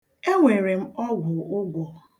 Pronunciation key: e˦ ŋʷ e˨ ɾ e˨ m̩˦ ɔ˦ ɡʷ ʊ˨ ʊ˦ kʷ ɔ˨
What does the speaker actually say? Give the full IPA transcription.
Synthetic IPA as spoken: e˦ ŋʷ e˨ ɾ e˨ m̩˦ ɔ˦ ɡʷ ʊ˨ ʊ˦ ɡʷ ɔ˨